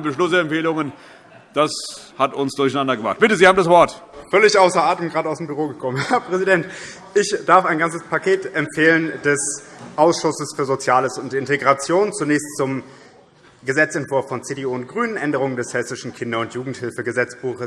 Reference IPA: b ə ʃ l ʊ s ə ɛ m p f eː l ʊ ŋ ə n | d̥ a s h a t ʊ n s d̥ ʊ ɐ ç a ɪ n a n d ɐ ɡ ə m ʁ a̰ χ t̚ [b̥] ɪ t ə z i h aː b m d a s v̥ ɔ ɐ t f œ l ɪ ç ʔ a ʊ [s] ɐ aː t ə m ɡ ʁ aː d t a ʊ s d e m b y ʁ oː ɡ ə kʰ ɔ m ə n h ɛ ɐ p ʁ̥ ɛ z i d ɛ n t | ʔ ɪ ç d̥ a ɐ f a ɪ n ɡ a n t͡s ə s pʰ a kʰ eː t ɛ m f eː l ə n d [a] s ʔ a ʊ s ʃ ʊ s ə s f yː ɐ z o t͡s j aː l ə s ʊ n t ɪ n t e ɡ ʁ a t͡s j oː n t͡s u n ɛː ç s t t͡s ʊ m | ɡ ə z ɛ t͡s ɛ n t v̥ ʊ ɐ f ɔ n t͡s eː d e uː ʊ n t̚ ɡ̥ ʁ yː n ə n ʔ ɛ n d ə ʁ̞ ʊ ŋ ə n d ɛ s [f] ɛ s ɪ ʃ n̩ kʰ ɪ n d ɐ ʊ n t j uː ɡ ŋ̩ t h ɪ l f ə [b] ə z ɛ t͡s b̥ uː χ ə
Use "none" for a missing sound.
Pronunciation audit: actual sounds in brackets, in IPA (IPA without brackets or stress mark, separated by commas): b̥, s, ɛ, h, ɡ